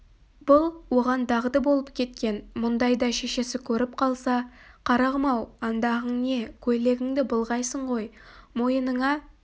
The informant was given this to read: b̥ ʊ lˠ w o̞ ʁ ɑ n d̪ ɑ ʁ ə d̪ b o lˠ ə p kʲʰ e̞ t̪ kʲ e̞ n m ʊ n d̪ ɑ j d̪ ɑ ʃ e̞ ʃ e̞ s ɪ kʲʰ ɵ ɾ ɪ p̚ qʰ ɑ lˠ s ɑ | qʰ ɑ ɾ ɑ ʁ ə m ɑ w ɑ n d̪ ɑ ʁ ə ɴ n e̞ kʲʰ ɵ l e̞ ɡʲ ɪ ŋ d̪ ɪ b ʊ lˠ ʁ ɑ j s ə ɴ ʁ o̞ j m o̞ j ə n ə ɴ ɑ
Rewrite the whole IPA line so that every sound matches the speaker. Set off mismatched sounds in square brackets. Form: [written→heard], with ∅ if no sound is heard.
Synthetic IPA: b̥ ʊ lˠ w o̞ ʁ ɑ n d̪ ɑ ʁ ə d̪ b o lˠ ə p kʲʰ e̞ t̪ kʲ e̞ n m ʊ n d̪ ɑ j d̪ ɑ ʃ e̞ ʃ e̞ s ɪ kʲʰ ɵ ɾ ɪ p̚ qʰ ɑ lˠ s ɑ | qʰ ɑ ɾ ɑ ʁ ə m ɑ w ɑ n d̪ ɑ ʁ ə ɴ n e̞ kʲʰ ɵ l e̞ ɡʲ ɪ ŋ d̪ ɪ b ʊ lˠ ʁ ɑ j s ə ɴ ʁ o̞ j m o̞ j ə n ə ɴ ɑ